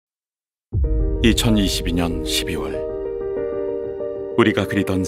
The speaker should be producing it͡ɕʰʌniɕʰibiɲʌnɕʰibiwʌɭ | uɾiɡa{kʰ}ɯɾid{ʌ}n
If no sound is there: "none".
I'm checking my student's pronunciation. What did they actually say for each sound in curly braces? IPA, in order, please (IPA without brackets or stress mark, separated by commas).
k, ʌ